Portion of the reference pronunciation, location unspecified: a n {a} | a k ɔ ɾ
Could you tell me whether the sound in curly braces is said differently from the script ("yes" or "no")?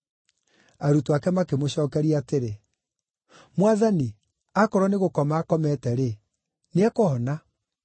yes